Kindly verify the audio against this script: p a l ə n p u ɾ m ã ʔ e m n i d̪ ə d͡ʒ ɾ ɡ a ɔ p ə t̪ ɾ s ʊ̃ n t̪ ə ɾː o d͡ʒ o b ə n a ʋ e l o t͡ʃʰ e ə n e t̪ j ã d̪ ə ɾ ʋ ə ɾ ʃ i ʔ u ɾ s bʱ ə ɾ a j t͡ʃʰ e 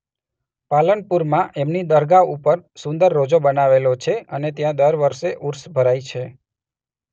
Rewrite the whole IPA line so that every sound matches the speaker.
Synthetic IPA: p a l ə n p u ɾ m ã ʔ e m n i d̪ ə ɾ ɡ a u p ə ɾ s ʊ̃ n d̪ ə ɾː o d͡ʒ o b ə n a ʋ e l o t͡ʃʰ e ə n e t̪ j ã d̪ ə ɾ ʋ ə ɾ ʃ e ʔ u ɾ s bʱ ə ɾ a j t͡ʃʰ e

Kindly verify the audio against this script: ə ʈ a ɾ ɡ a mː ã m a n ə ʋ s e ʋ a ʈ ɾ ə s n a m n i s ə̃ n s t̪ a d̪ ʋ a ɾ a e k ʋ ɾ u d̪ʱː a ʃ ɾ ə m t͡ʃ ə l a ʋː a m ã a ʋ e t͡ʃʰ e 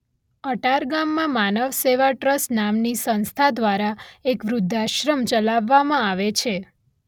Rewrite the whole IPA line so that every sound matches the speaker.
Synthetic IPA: ə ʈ a ɾ ɡ a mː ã m a n ə ʋ s e ʋ a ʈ ɾ ə s n a m n i s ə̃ n s t̪ʰ a d̪ ʋ a ɾ a e k ʋ ɾ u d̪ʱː a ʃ ɾ ə m t͡ʃ ə l a ʋː a m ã a ʋ e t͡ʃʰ e

